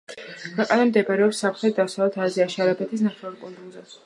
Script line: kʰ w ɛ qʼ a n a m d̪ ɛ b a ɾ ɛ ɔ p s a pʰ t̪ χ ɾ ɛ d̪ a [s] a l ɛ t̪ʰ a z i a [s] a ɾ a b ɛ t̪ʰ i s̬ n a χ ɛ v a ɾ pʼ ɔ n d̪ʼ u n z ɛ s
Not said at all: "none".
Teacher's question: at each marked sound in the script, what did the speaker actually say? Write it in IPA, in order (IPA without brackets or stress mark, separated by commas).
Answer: s, ʃ